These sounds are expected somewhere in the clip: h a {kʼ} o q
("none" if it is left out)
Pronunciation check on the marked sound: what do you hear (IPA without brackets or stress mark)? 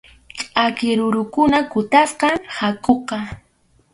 k